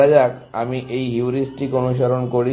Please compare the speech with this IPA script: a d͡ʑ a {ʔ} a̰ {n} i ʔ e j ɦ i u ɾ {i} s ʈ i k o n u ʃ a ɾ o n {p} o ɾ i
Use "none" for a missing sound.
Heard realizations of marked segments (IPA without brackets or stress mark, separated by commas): k, m, i, k